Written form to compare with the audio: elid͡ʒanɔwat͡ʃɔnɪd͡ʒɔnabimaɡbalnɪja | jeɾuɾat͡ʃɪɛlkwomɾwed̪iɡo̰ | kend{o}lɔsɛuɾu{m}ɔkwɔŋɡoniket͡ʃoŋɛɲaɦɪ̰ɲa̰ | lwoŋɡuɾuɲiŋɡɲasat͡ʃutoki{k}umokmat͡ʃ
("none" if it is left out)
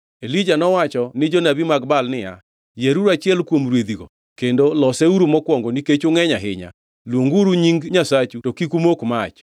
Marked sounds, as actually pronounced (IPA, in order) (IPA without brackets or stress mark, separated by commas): o, m, k